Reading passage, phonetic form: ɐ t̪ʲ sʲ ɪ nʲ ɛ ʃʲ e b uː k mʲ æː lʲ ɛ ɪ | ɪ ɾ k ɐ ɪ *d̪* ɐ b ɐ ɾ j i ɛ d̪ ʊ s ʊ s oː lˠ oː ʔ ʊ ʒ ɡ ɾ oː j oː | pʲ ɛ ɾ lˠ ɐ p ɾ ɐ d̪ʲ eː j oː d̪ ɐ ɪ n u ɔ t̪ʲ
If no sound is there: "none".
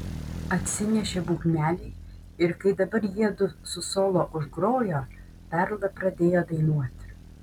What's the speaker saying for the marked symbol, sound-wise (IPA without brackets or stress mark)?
d̪